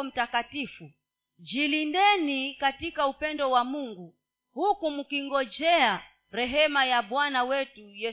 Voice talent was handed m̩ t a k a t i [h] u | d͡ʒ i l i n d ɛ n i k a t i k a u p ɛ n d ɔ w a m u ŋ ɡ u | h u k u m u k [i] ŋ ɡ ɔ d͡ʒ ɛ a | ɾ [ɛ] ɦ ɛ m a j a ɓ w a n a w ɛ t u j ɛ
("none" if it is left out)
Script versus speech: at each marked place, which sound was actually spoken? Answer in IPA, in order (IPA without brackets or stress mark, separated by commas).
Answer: f, i, ɛ